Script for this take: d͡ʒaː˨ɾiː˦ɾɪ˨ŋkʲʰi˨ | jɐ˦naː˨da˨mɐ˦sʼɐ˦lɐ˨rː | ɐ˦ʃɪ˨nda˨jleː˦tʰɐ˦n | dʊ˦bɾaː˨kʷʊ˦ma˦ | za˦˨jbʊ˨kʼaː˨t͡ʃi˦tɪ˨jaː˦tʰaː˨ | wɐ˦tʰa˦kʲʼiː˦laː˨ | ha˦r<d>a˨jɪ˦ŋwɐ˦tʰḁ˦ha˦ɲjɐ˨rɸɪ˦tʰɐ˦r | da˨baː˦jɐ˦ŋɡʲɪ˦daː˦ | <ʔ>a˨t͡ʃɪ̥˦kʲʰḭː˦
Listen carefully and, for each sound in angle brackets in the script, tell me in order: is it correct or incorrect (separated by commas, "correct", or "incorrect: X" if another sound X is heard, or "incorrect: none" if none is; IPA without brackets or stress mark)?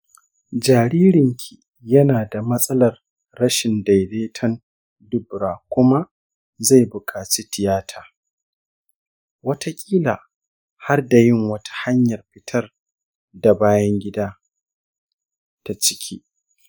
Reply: correct, incorrect: t